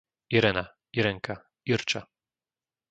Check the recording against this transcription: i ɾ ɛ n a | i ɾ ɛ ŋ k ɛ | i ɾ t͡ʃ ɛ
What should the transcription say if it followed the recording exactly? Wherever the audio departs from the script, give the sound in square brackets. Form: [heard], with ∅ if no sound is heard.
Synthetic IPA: i ɾ ɛ n a | i ɾ ɛ ŋ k [a] | i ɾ t͡ʃ [a]